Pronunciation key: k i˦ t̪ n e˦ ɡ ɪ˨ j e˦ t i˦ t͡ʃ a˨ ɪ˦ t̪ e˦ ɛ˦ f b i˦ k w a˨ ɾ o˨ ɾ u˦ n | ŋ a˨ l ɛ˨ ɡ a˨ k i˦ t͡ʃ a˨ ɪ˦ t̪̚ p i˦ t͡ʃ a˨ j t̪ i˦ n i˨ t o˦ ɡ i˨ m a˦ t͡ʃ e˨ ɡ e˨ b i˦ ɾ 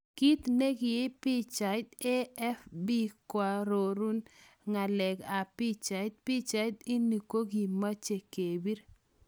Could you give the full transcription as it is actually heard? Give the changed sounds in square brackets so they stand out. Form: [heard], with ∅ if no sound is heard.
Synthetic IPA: k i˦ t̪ n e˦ ɡ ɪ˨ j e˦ [p] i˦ t͡ʃ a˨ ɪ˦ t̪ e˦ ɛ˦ f b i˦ k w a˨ ɾ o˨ ɾ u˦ n | ŋ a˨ l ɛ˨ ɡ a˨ [p] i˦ t͡ʃ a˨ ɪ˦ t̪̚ p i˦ t͡ʃ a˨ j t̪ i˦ n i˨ [k] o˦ ɡ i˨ m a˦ t͡ʃ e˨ [k] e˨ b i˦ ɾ